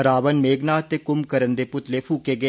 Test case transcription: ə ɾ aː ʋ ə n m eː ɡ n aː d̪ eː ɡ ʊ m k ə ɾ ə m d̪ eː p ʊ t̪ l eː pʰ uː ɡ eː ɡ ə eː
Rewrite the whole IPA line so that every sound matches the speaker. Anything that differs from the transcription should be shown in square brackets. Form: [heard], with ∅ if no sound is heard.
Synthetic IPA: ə ɾ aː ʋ ə n m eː ɡ n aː [t̪] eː [k] ʊ m k ə ɾ ə [n] d̪ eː p ʊ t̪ l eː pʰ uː [k] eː ɡ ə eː

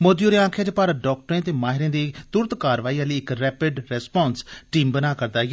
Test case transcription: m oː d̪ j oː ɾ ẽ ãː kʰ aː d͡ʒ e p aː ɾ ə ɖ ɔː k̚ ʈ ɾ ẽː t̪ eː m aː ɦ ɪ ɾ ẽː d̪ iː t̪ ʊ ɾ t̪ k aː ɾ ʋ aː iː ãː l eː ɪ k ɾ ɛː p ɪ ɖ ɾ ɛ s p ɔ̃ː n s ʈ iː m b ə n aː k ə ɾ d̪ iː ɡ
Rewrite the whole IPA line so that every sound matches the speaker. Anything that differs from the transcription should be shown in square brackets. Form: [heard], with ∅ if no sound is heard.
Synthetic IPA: m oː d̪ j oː ɾ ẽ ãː kʰ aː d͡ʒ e p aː ɾ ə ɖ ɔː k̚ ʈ ɾ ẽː t̪ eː m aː ɦ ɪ ɾ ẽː d̪ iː t̪ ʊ ɾ t̪ k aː ɾ ʋ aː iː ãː l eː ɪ k ɾ ɛː p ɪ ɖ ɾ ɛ s p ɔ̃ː n s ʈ iː m b ə n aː k ə ɾ d̪ [aː] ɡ

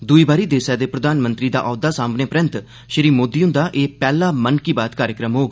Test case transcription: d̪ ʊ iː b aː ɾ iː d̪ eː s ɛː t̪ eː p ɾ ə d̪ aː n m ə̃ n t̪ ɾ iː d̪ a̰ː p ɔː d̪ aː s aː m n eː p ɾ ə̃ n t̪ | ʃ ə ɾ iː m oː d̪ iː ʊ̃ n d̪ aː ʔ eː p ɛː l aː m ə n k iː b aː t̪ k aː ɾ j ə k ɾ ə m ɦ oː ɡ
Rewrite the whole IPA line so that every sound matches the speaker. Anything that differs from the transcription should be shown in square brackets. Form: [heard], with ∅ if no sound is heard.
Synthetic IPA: d̪ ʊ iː b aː ɾ iː d̪ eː s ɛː [d̪] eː p ɾ ə d̪ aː n m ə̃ n t̪ ɾ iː d̪ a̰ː [ʔ] ɔː d̪ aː s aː m n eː p ɾ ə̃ n t̪ | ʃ ə ɾ iː m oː d̪ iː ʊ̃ n d̪ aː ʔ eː p ɛː l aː m ə n k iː b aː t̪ k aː ɾ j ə k ɾ ə m ɦ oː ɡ

